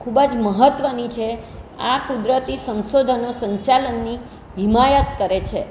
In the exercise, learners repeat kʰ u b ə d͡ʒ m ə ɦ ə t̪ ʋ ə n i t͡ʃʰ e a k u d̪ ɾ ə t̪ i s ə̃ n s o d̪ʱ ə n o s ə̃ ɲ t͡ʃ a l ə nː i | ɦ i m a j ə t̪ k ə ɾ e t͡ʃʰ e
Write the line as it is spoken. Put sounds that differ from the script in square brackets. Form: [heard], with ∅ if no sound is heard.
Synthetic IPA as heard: kʰ u b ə d͡ʒ m ə ɦ ə t̪ ʋ ə n i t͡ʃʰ e a k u d̪ ɾ ə t̪ i s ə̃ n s o d̪ʱ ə n o s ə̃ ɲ t͡ʃ a l ə nː i | ɦ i m a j ə t̪ k ə ɾ e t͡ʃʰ e